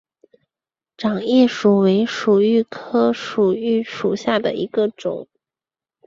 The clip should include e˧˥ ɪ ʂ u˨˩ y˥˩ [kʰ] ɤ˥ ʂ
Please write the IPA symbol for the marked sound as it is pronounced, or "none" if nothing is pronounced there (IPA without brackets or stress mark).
kʰ